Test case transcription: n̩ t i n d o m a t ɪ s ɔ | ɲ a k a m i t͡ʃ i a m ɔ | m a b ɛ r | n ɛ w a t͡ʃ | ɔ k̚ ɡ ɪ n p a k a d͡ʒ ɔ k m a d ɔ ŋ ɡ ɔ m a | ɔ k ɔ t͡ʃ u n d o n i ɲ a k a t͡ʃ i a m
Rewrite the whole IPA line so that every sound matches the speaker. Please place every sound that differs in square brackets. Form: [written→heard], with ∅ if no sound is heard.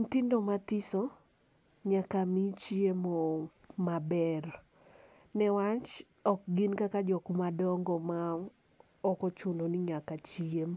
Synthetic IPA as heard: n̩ t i n d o m a t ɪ s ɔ | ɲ a k a m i t͡ʃ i [a→e] m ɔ | m a b ɛ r | n ɛ w a t͡ʃ | ɔ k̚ ɡ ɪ n [p→k] a k a d͡ʒ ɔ k m a d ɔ ŋ ɡ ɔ m a | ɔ k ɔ t͡ʃ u n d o n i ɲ a k a t͡ʃ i [a→e] m